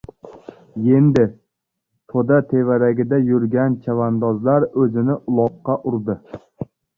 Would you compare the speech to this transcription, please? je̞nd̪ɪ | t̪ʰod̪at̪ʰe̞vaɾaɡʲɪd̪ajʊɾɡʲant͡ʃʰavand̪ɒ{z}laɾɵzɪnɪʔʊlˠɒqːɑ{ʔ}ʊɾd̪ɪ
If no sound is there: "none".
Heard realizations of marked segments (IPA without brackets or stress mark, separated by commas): z, ʔ